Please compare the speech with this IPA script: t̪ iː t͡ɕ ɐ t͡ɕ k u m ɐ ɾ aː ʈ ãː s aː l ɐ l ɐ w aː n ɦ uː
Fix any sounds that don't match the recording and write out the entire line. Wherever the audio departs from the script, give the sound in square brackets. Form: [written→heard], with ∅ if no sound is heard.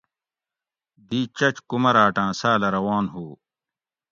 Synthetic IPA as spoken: [t̪→d̪] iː t͡ɕ ɐ t͡ɕ k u m ɐ ɾ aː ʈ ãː s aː l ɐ [l→ɾ] ɐ w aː n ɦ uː